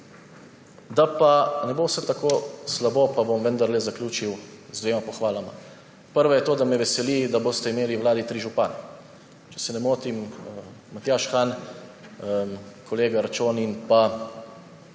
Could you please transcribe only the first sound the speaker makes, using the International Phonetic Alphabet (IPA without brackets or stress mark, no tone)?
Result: d̪